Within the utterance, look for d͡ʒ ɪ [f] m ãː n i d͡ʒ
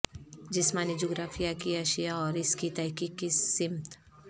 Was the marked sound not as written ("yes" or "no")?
yes